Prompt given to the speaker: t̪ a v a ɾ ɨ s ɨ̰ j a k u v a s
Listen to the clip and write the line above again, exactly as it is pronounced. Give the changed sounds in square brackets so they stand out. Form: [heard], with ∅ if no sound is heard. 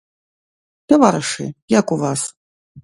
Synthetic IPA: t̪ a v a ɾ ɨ [ʂ] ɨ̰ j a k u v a s